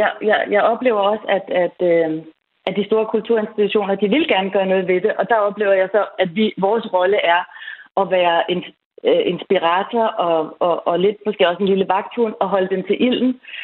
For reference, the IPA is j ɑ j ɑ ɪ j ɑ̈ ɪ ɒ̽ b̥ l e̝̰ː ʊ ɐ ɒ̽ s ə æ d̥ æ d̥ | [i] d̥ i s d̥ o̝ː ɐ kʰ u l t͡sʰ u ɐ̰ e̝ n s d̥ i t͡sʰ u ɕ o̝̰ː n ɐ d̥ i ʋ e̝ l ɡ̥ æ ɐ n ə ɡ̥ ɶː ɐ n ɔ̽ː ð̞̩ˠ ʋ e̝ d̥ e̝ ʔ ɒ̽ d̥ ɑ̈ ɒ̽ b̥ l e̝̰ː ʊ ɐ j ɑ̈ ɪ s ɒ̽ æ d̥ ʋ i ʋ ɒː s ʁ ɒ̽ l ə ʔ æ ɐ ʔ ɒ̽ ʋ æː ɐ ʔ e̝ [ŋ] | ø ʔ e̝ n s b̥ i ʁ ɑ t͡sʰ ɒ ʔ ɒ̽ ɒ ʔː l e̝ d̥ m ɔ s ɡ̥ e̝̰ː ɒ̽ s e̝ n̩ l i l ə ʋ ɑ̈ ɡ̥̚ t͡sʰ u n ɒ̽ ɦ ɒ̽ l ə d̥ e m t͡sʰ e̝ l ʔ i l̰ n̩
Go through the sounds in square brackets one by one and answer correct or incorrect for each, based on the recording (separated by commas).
incorrect, incorrect